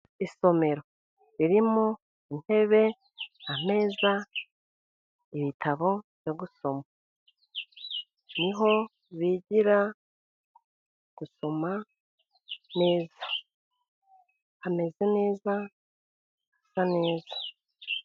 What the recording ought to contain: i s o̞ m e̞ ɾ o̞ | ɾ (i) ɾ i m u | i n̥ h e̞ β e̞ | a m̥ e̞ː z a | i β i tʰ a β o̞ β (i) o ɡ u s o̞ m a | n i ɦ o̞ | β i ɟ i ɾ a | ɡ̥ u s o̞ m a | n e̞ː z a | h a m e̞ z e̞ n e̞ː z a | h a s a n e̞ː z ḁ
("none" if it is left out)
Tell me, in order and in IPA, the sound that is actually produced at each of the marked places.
i, j

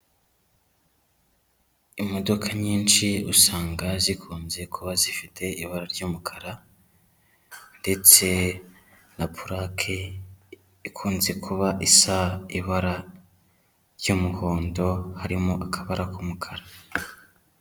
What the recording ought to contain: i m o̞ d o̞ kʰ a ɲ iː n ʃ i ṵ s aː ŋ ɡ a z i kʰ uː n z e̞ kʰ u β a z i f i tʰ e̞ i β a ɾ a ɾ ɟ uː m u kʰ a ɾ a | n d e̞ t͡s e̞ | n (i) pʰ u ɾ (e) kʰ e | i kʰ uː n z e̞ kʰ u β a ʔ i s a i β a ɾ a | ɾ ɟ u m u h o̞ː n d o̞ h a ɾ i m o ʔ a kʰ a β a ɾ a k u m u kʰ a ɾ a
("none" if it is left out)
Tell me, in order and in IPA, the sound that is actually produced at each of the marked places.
a, a

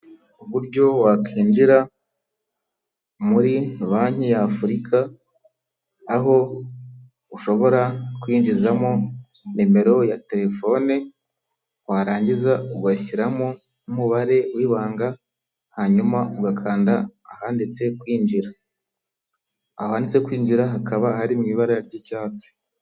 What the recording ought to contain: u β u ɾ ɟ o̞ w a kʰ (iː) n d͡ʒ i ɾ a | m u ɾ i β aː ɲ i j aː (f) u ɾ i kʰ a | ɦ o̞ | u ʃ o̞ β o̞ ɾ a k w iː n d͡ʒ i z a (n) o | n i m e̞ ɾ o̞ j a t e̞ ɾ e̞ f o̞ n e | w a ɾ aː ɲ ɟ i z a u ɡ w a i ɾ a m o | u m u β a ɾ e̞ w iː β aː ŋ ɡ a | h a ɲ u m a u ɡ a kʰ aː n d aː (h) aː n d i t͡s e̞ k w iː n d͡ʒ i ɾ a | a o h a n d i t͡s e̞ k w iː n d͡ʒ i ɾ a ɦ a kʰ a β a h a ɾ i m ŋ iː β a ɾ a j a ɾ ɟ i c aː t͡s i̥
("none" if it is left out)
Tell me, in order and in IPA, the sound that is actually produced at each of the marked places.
iː, f, m, h

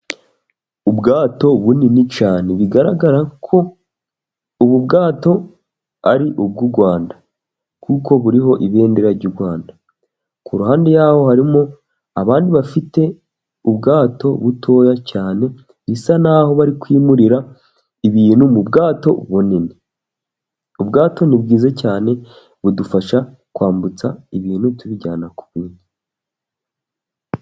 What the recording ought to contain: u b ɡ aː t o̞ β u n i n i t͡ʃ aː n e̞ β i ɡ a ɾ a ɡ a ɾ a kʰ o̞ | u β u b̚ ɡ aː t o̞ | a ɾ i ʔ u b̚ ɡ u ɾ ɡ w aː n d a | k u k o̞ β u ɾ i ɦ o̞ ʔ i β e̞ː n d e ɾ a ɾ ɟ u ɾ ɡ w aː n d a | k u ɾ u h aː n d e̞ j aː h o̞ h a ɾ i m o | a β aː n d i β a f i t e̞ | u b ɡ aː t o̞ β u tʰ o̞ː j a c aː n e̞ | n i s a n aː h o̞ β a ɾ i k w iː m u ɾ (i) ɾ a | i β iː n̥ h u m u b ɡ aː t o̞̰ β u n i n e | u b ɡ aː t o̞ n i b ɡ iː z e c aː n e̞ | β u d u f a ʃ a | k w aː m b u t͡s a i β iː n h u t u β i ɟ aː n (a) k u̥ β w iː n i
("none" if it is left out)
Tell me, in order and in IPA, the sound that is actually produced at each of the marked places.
i, a

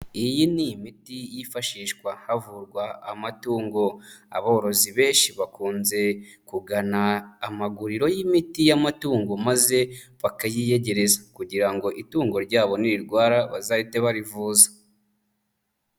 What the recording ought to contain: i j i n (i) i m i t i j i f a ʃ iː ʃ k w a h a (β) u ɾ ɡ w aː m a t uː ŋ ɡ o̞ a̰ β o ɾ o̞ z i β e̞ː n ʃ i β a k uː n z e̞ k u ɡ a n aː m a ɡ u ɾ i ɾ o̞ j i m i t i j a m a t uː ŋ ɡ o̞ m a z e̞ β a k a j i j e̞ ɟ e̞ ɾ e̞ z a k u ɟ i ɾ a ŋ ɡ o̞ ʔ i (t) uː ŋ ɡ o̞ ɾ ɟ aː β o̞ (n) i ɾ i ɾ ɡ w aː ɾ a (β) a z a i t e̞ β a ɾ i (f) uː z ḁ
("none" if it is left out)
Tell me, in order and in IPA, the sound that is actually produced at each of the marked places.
i, v, t, n, β, v

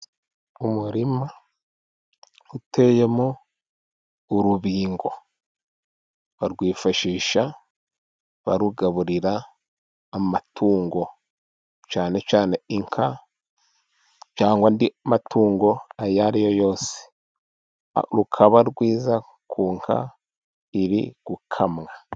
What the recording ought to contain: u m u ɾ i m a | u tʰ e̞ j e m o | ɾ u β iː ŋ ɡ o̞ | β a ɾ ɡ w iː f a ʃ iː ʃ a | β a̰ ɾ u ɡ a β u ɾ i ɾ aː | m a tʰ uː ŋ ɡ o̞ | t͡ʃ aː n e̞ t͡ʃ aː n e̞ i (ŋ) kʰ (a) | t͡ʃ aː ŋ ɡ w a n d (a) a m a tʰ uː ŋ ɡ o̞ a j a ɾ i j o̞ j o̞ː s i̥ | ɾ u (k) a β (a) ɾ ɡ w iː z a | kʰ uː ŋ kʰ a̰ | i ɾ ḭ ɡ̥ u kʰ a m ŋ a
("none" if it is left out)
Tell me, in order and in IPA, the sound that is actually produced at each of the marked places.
ŋ, a, i, kʰ, a

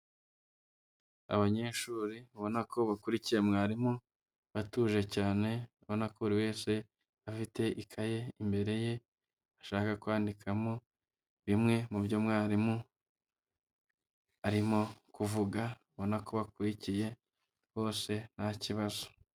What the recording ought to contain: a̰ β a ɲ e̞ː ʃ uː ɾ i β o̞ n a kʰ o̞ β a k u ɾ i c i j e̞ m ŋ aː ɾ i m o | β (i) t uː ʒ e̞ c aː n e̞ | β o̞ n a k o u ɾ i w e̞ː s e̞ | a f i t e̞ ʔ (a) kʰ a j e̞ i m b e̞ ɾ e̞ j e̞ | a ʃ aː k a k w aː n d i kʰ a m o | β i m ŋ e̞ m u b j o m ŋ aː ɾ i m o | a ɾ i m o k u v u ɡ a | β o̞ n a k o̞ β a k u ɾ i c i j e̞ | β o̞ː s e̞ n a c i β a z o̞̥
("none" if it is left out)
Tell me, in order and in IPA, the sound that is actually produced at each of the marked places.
a, i

